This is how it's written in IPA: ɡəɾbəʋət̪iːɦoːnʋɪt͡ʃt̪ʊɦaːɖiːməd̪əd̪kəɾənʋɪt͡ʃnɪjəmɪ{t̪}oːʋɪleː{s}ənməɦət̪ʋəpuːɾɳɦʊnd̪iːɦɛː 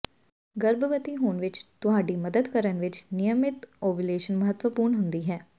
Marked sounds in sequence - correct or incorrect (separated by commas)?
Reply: correct, incorrect